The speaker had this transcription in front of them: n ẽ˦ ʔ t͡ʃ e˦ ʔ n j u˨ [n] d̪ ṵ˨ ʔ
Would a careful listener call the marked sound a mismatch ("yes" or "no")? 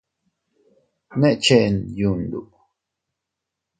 no